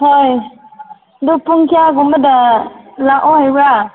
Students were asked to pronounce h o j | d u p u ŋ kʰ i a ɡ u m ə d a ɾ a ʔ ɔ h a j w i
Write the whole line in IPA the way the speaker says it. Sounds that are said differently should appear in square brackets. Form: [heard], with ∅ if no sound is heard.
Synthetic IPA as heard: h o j | d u p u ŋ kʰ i a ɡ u m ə d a [l] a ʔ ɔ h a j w [a]